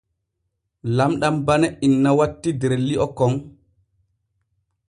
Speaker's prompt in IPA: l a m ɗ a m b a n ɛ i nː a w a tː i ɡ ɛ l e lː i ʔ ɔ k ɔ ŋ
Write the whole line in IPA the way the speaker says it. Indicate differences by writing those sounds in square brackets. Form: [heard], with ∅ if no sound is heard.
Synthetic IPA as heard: l a m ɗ a m b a n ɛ i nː a w a tː i [d] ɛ [ɾ] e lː i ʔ ɔ k ɔ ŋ